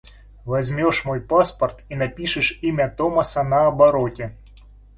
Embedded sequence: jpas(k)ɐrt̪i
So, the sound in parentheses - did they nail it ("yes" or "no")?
no